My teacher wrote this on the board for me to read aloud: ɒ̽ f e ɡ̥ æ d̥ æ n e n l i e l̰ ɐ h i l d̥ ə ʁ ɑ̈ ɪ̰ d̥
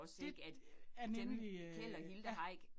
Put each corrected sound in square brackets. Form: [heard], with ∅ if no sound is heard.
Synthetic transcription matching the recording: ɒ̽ [s] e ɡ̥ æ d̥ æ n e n l i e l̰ ɐ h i l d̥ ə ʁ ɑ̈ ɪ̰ [ɡ̥]